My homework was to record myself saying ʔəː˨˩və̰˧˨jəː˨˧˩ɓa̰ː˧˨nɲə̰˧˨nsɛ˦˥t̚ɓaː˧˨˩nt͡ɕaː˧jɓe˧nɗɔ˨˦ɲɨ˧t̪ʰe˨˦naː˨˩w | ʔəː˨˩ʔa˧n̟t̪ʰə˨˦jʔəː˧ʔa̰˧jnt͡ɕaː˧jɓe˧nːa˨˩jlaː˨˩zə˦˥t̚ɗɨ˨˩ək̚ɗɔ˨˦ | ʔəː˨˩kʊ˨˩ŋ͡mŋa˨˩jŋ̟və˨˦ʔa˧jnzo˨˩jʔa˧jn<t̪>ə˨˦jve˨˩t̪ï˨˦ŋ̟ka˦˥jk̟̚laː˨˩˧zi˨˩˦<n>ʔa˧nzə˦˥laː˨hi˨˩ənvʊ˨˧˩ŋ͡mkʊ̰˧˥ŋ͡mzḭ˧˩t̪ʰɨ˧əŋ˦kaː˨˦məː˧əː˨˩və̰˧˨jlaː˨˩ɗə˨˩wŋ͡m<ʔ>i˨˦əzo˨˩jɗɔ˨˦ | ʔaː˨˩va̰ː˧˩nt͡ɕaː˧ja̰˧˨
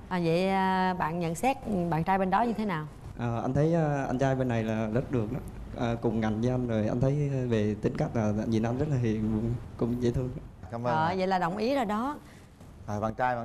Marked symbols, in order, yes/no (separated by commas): no, yes, yes